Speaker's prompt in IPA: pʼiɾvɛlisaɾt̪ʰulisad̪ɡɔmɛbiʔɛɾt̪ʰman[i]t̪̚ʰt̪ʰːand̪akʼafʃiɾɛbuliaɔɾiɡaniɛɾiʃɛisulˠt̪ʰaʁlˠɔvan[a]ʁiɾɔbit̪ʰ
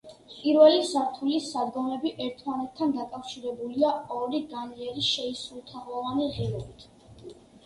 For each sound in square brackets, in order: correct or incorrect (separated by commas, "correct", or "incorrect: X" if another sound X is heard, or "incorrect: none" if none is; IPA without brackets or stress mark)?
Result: incorrect: ɛ, incorrect: i